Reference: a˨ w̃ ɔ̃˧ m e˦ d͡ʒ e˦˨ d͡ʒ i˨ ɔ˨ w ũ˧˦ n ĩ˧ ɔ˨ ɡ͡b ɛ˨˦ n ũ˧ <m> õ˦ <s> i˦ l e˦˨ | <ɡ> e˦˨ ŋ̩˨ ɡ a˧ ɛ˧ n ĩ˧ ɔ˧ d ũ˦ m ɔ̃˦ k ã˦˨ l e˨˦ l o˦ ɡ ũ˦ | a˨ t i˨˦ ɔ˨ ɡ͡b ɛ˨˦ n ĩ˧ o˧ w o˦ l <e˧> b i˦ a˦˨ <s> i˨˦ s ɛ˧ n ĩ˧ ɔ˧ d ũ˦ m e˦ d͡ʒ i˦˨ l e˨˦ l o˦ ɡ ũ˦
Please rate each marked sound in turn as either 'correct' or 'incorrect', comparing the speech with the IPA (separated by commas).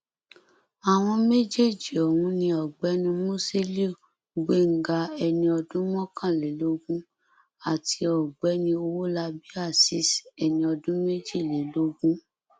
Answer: correct, correct, incorrect, incorrect, correct